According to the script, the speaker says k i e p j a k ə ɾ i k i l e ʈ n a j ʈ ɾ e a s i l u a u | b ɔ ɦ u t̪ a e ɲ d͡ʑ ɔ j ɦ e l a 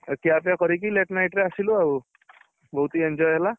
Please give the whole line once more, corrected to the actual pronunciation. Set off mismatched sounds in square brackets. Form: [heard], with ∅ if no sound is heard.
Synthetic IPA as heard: k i [a] p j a k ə ɾ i k i l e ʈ n a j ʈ ɾ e a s i l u a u | b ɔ ɦ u t̪ [i] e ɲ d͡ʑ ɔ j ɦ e l a

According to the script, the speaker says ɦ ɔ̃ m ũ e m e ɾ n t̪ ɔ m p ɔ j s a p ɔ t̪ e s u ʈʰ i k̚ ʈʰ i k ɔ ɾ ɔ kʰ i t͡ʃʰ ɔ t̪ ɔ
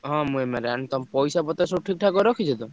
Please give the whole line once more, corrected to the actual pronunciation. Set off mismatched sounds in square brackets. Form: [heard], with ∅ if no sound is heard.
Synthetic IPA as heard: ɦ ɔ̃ m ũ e m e ɾ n t̪ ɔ m p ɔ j s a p ɔ t̪ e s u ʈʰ i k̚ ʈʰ [a] k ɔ ɾ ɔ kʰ i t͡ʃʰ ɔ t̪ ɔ

